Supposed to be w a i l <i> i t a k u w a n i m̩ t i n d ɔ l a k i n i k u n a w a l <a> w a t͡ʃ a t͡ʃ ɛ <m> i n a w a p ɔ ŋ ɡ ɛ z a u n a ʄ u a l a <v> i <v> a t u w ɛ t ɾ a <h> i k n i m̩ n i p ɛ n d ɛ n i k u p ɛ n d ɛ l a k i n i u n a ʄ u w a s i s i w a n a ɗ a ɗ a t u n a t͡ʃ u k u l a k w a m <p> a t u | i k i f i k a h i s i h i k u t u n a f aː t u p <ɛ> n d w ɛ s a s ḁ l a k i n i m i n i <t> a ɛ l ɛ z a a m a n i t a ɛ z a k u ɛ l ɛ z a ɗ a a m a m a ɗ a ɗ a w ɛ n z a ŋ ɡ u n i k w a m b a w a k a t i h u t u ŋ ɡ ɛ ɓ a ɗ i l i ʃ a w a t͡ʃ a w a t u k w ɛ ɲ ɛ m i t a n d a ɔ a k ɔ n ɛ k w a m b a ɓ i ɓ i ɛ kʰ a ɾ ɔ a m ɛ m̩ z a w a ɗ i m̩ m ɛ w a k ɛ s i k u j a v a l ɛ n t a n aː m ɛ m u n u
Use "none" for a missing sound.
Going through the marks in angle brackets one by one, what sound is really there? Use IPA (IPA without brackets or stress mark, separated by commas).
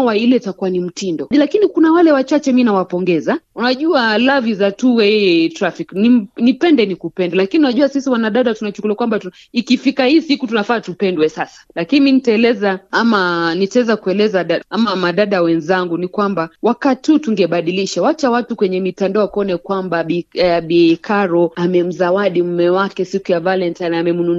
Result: ɛ, ɛ, m, v, z, f, b, ɛ, t